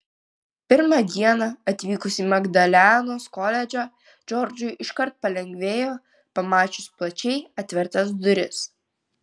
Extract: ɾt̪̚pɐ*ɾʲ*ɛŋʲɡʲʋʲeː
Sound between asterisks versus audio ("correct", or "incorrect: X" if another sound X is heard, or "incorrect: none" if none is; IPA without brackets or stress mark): incorrect: lʲ